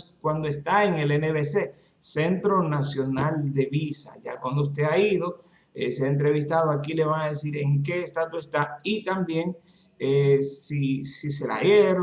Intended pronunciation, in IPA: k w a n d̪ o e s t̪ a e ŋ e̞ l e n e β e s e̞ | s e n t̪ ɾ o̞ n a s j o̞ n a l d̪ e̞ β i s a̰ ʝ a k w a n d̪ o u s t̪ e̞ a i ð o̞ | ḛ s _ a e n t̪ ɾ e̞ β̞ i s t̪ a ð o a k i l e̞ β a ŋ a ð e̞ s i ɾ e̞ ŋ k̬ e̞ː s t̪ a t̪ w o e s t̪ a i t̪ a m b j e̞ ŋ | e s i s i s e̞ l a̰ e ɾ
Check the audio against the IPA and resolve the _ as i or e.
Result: e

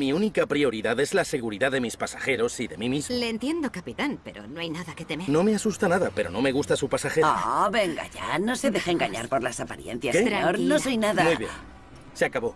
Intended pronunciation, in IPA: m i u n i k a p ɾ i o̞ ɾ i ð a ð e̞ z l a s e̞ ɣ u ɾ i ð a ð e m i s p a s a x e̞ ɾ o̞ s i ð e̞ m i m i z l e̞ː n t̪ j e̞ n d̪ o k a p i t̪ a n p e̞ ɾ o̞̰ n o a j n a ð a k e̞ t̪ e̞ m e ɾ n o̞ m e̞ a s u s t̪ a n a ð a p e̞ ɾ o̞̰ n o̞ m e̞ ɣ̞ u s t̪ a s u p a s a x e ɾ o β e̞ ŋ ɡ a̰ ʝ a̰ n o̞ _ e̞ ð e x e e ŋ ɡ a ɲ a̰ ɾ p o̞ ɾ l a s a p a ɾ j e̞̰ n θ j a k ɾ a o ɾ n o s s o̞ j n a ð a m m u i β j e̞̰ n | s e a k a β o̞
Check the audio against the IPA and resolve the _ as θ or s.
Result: s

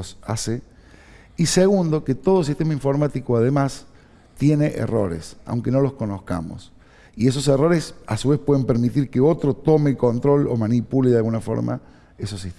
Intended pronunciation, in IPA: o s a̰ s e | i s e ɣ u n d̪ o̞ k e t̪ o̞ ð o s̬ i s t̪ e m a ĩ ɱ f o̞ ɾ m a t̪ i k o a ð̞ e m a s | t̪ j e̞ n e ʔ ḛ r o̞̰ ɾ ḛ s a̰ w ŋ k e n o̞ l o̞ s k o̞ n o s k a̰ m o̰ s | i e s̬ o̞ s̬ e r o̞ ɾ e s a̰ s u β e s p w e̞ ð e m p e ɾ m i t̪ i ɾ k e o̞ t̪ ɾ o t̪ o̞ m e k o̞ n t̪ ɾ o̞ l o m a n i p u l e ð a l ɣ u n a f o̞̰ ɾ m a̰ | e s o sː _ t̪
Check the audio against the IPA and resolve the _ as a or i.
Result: i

